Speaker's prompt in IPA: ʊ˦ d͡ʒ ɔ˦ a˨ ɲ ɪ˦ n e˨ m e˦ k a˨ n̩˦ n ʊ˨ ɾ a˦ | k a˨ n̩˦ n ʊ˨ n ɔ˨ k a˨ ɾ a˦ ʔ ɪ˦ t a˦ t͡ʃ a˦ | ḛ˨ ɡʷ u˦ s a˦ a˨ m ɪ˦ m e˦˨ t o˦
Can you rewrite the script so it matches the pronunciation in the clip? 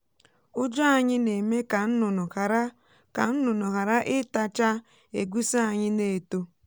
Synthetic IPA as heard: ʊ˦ d͡ʒ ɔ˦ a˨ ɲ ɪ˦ n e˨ m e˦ k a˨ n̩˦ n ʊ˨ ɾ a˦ | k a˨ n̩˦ n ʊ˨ n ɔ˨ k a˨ ɾ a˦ ʔ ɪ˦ t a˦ t͡ʃ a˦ | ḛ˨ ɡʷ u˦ s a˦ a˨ ɲ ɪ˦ n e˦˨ t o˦

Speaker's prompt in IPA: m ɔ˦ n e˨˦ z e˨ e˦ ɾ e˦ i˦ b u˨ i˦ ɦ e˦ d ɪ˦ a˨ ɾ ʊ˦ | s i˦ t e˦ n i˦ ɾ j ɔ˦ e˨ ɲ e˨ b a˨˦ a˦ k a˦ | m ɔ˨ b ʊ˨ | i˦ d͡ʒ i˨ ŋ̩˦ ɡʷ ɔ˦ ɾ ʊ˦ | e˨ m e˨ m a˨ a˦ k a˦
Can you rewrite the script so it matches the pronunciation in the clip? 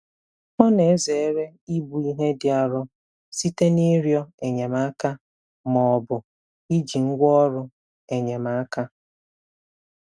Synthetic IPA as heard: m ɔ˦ n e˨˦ z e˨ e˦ ɾ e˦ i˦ b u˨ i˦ ɦ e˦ d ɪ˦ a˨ ɾ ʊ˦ | s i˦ t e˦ n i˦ ɾ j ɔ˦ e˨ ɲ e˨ m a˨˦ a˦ k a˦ | m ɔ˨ b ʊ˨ | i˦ d͡ʒ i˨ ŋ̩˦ ɡʷ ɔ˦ ɾ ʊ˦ | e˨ ɲ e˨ m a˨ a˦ k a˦

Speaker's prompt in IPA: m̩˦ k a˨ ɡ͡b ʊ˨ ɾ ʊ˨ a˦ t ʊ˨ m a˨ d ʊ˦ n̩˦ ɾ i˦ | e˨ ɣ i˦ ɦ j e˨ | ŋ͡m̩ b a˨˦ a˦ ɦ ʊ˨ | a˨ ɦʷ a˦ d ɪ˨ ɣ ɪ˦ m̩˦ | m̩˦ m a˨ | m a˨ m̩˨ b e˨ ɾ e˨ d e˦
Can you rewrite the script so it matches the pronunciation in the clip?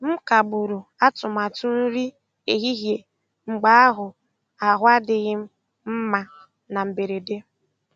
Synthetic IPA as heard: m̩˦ k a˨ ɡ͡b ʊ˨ ɾ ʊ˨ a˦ t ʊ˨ m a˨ t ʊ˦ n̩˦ ɾ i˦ | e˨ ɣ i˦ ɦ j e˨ | ŋ͡m̩ ɡ͡b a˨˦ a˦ ɦ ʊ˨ | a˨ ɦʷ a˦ d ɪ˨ ɣ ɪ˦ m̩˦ | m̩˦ m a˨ | n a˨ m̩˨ b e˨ ɾ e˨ d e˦

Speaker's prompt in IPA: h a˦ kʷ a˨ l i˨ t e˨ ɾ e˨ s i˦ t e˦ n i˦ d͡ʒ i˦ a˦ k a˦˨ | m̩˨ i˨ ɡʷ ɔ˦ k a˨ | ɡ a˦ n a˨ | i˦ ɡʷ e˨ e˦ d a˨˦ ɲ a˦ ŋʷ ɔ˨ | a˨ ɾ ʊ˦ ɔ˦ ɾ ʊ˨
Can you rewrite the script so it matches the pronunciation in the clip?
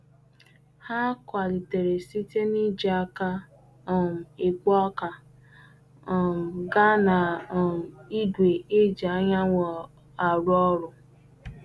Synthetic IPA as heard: h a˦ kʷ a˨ l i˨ t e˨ ɾ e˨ s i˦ t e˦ n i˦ d͡ʒ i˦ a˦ k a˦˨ | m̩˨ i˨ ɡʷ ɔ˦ k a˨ | ɡ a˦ n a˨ | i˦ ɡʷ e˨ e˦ d͡ʒ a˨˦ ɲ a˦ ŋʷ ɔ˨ | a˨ ɾ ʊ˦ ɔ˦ ɾ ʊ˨

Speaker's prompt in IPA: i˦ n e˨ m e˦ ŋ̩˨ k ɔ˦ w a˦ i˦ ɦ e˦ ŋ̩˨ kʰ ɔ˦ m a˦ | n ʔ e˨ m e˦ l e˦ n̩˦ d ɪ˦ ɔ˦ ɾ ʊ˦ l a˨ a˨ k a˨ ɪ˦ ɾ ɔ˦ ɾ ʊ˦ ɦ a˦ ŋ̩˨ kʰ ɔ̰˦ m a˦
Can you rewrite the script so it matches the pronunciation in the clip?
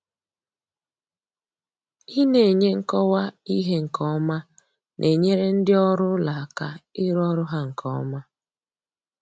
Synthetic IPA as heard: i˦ n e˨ ɲ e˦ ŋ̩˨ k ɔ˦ w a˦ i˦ ɦ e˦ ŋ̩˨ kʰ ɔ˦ m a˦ | n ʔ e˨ ɲ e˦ ɾ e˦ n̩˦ d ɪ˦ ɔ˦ ɾ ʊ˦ l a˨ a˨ k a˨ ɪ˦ ɾ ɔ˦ ɾ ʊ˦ ɦ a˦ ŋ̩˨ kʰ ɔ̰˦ m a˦

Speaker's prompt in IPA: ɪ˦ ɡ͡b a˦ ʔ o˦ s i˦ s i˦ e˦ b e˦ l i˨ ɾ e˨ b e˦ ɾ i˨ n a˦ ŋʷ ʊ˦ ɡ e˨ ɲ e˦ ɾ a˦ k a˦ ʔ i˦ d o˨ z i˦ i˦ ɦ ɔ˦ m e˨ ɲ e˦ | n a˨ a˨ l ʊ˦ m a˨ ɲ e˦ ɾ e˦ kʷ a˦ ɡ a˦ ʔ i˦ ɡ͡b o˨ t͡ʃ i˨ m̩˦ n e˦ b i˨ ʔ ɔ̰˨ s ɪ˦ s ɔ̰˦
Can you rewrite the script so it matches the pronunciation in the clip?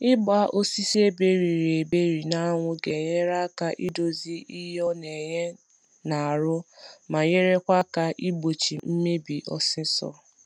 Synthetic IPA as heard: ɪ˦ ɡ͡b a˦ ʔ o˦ s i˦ s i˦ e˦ b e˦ ɾ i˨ ɾ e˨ b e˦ ɾ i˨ n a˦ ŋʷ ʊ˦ ɡ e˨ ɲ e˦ ɾ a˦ k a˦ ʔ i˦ d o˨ z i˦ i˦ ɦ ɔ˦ n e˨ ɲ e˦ | n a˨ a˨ ɾ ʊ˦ m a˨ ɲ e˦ ɾ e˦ kʷ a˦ k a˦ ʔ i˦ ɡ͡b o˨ t͡ʃ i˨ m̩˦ m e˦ b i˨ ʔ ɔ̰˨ s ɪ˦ s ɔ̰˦

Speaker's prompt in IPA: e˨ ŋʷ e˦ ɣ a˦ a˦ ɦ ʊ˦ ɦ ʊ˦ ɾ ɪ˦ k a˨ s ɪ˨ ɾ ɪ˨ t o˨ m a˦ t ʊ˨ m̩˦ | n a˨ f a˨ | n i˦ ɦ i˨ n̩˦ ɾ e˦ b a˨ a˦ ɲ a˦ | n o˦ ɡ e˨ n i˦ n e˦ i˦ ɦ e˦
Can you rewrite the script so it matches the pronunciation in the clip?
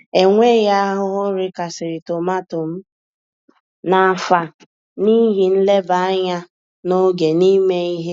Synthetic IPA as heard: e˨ ŋʷ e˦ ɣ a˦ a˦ ɦ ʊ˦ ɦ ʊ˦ ɾ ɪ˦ k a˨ s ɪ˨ ɾ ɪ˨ t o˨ m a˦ t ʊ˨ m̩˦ | n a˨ f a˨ | n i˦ ɦ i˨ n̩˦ l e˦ b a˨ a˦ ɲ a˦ | n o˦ ɡ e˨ n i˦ m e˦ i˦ ɦ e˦

